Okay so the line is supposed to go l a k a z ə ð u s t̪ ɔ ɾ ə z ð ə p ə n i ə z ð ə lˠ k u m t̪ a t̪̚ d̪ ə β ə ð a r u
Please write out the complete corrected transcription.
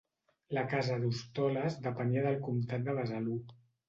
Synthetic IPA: l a k a z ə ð u s t̪ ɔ l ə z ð ə p ə n i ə ð ə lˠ k u m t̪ a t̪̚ d̪ ə β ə z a l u